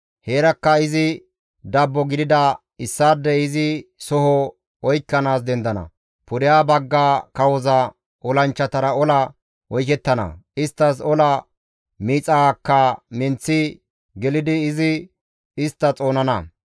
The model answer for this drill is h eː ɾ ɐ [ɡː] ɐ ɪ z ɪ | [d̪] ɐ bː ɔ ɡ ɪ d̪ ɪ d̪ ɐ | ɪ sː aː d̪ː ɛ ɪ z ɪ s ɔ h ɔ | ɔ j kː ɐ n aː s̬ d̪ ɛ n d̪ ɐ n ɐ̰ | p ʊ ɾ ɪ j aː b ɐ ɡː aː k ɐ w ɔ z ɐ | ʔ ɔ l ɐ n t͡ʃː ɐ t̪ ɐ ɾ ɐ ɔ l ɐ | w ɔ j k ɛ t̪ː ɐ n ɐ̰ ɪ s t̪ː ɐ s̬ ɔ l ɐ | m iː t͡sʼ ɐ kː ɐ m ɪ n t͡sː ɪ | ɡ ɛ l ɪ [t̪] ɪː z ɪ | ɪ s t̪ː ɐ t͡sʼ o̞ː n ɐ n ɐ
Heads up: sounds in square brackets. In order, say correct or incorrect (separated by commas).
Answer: incorrect, correct, incorrect